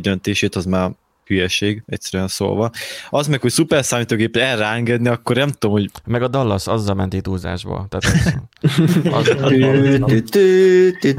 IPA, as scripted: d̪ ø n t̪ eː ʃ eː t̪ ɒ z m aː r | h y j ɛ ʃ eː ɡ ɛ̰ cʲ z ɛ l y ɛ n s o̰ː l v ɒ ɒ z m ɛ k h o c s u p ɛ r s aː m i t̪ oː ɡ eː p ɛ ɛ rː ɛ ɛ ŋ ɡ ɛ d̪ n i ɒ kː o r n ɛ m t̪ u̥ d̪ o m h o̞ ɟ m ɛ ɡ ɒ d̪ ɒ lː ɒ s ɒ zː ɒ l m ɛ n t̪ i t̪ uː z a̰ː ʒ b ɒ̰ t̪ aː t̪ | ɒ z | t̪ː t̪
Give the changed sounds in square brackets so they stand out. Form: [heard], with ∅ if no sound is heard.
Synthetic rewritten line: d̪ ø n t̪ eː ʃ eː t̪ ɒ z m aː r | h y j ɛ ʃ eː ɡ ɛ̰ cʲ [s] ɛ [ɾ] y ɛ n s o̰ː l v ɒ ɒ z m ɛ k h o c s u p ɛ r s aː m i t̪ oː ɡ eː p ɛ ɛ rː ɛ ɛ ŋ ɡ ɛ d̪ n i ɒ kː o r n ɛ m t̪ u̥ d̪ o m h o̞ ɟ m ɛ ɡ ɒ d̪ ɒ lː ɒ s ɒ zː ɒ l m ɛ n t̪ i t̪ uː z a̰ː ʒ b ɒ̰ t̪ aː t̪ | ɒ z | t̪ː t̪